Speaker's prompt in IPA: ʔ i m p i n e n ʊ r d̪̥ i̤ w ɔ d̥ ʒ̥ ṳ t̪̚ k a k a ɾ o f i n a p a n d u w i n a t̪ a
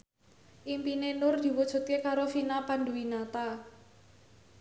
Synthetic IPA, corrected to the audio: ʔ i m p i n e n ʊ r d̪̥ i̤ w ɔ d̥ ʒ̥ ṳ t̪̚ k e k a ɾ o f i n a p a n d u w i n a t̪ a